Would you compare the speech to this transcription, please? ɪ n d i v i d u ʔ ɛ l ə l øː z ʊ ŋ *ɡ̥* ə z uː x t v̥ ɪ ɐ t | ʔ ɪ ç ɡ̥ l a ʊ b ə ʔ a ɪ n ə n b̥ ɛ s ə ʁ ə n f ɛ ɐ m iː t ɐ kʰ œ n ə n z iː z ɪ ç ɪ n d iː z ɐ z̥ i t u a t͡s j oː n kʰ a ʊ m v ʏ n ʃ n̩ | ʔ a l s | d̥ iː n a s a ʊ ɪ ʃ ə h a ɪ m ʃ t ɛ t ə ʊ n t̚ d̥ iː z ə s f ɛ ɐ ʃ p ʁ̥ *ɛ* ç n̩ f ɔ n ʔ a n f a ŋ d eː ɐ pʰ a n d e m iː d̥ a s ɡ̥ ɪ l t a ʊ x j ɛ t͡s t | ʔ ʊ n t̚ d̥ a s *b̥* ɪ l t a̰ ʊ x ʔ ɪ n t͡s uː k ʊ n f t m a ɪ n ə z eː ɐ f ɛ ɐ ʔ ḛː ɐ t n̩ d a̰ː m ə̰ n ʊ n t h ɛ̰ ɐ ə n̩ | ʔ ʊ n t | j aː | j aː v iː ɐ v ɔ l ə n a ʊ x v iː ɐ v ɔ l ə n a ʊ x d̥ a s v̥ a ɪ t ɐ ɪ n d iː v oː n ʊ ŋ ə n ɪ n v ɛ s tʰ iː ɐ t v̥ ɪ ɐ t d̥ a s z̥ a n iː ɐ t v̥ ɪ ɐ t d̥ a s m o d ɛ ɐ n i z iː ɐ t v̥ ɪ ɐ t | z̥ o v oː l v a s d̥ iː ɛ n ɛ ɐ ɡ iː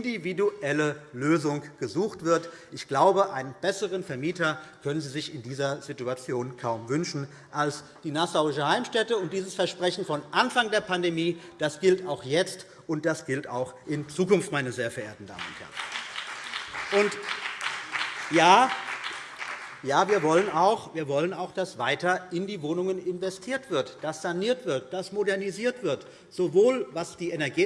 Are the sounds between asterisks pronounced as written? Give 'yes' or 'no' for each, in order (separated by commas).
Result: yes, yes, no